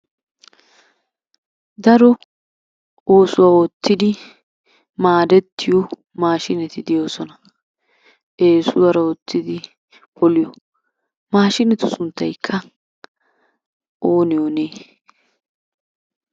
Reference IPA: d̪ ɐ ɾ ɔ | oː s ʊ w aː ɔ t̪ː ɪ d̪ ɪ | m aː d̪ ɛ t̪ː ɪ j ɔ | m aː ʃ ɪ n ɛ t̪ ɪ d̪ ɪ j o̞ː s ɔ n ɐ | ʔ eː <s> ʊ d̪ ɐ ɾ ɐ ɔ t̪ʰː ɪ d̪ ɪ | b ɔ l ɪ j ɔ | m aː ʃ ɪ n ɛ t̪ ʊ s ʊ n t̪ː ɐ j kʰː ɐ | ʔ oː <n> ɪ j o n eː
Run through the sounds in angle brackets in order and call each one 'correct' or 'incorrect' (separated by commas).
correct, correct